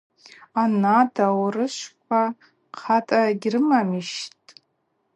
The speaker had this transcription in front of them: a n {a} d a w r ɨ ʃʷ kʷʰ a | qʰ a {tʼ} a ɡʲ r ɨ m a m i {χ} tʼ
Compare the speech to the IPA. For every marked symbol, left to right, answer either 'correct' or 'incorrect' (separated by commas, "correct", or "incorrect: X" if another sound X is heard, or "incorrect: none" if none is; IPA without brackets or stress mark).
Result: correct, correct, incorrect: ʃ